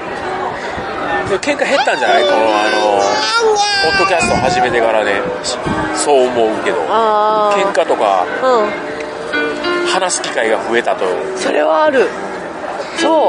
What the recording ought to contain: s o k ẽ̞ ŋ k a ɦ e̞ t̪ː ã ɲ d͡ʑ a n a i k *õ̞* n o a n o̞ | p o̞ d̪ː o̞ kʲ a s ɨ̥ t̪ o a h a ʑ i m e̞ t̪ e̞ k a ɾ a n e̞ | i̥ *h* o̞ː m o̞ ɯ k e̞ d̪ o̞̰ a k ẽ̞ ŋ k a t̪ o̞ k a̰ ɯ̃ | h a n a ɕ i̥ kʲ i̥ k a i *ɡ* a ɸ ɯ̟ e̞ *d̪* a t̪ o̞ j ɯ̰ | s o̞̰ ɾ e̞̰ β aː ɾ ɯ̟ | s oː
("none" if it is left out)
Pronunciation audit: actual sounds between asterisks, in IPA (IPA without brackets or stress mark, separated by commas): o̞, s, ɡ, t̪